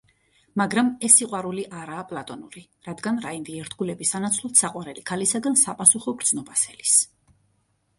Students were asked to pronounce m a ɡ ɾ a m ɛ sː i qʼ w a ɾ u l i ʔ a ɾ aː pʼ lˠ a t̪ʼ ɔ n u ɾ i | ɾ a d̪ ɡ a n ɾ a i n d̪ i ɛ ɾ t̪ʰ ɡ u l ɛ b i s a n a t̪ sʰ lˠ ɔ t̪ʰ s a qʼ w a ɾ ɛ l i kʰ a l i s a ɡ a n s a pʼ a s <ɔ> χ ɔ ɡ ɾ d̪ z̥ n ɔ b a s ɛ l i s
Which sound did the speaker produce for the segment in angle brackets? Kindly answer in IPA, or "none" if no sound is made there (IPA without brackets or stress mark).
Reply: u